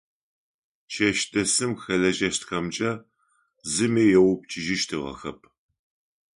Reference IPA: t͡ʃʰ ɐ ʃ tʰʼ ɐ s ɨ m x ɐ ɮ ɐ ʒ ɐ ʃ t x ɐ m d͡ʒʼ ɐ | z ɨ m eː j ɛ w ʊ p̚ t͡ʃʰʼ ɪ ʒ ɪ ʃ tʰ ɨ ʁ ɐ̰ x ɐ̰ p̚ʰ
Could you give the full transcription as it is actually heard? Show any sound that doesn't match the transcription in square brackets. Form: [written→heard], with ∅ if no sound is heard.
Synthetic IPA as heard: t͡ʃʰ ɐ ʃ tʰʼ ɐ s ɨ m x ɐ ɮ ɐ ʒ ɐ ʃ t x ɐ m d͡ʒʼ ɐ | z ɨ m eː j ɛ w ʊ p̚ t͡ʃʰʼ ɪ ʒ ɪ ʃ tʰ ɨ ʁ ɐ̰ x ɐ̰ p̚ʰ